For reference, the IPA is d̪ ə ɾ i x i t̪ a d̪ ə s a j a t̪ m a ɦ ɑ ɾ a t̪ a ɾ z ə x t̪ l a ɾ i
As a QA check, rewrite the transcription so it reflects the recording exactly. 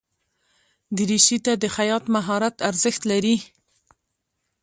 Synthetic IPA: d̪ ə ɾ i ʃ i t̪ a d̪ ə x a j ɑ t̪ m a ɦ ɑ ɾ a t̪ a ɾ z ə x t̪ l a ɾ i